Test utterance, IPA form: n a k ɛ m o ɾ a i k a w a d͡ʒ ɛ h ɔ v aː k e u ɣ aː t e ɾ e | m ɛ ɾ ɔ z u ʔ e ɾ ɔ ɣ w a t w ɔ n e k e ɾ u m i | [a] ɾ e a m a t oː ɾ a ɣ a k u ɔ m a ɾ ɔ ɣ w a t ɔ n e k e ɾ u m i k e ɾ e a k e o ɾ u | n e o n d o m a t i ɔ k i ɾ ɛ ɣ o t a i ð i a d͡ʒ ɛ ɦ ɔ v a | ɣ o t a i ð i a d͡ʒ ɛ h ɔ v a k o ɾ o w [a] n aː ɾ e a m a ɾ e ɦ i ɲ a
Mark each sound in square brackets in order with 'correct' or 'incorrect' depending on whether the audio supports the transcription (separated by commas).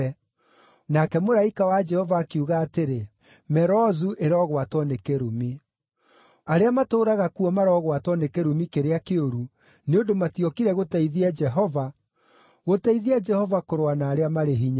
correct, correct